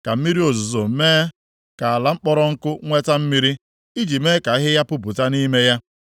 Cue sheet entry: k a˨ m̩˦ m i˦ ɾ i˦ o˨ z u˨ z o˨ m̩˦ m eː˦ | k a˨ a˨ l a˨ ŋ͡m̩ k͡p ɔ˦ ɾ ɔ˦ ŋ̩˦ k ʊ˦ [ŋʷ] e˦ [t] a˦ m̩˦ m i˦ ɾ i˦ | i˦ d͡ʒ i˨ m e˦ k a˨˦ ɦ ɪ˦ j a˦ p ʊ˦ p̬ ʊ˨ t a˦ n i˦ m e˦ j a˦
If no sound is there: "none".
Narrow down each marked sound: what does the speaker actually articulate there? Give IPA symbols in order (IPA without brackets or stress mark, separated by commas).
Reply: ŋʷ, t